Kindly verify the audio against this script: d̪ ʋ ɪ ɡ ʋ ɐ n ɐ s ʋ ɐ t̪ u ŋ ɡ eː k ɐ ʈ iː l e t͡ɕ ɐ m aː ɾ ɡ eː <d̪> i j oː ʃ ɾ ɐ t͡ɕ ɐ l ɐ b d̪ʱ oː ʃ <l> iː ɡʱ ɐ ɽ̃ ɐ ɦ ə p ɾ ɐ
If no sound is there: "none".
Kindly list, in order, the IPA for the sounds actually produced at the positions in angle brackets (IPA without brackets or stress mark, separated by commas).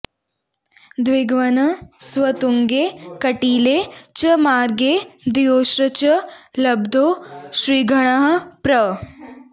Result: d̪, ɾ